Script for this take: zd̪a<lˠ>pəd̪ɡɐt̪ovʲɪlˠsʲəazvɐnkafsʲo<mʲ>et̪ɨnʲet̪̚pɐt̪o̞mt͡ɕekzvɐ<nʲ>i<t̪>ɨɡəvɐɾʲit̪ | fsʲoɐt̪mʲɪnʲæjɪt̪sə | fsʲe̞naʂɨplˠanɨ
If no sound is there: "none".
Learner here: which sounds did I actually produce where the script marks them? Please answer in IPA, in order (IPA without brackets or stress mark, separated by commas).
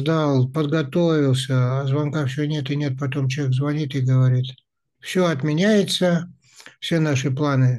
lˠ, nʲ, nʲ, t̪